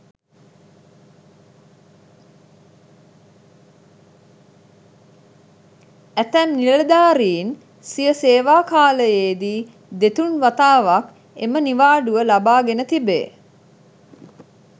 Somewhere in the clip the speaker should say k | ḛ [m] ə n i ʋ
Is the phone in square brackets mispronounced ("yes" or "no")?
no